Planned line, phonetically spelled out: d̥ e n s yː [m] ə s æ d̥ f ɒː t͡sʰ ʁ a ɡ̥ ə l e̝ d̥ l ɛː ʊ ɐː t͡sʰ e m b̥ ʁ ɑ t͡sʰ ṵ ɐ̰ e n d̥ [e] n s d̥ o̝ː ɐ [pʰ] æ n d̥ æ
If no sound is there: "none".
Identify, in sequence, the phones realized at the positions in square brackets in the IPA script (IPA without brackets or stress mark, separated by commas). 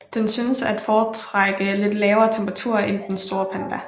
n, e, pʰ